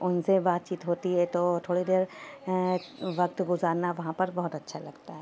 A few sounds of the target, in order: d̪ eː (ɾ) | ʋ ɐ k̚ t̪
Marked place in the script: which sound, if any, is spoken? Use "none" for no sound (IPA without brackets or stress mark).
ɾ